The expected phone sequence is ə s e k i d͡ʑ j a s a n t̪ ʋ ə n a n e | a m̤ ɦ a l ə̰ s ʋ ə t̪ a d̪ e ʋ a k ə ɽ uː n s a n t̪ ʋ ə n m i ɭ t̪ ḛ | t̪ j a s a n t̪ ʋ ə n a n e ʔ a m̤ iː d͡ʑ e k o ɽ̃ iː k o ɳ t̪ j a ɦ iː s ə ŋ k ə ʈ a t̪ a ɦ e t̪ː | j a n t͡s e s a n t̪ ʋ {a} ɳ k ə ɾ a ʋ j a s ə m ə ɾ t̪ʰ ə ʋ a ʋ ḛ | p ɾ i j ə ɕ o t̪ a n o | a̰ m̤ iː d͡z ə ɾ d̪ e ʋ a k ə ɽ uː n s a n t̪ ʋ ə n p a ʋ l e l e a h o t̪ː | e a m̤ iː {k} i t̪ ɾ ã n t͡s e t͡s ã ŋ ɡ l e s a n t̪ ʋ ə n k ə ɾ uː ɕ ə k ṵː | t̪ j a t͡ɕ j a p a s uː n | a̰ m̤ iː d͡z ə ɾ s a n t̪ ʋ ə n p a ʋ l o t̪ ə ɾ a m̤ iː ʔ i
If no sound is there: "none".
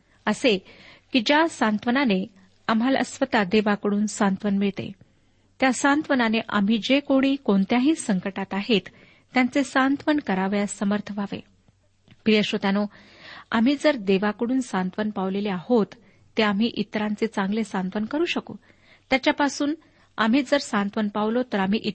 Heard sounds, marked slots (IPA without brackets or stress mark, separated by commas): ə, ʔ